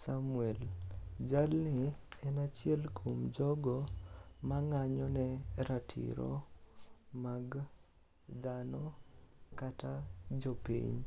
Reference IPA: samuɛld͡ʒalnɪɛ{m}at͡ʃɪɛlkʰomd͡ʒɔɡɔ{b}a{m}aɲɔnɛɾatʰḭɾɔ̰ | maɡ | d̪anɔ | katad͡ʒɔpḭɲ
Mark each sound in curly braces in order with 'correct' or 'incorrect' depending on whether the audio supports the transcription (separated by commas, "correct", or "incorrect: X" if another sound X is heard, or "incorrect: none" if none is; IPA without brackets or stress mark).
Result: incorrect: n, incorrect: m, incorrect: ŋ